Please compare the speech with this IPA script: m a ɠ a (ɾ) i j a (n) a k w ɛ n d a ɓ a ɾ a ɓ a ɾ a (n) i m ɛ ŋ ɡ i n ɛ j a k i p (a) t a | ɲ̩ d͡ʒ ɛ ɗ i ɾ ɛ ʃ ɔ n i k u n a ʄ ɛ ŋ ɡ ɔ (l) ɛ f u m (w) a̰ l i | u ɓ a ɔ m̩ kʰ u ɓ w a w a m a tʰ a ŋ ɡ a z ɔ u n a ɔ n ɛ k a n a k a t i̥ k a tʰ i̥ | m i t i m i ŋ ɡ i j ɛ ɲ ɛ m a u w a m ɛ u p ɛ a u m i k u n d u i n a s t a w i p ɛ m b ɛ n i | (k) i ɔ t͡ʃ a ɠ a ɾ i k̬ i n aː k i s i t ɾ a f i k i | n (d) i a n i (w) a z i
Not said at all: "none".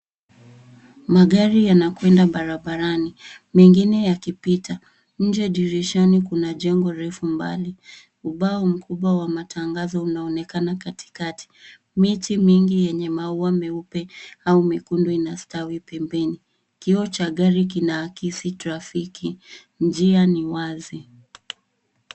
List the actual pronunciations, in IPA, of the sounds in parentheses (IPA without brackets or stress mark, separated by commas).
ɾ, n, n, i, ɾ, b, k, d͡ʒ, w